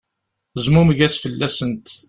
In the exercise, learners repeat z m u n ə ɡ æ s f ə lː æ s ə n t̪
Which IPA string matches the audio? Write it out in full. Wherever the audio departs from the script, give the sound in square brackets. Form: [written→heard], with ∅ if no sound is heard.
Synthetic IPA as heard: z m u [n→m] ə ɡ æ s f ə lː æ s ə n t̪